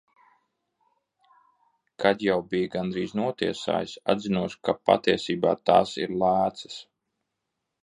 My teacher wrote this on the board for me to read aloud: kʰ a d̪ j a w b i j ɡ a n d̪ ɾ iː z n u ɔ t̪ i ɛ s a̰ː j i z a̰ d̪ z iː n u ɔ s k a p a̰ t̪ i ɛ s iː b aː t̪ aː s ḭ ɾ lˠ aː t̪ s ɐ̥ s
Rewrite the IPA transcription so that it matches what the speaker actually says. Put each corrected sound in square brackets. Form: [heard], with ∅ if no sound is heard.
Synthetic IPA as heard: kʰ a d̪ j a w b i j ɡ a n d̪ ɾ iː z n u ɔ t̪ i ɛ s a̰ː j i [s] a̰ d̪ z [i] n u ɔ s k a p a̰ t̪ i ɛ s iː b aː t̪ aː s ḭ ɾ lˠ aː t̪ s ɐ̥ s